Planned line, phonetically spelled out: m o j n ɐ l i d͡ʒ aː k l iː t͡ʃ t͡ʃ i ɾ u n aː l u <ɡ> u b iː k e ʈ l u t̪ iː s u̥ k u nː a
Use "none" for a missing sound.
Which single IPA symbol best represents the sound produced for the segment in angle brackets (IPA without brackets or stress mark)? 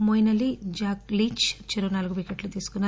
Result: ɡ